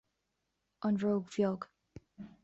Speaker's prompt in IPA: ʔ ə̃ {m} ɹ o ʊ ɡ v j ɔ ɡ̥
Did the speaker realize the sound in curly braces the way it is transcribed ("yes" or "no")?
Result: no